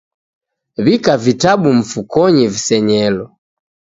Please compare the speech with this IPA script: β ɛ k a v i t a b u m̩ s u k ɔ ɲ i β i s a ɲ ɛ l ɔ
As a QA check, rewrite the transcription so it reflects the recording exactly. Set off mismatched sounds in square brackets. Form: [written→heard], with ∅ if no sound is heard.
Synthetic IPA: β [ɛ→i] k a v i t a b u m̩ [s→f] u k ɔ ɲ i [β→v] i s [a→ɛ] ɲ ɛ l ɔ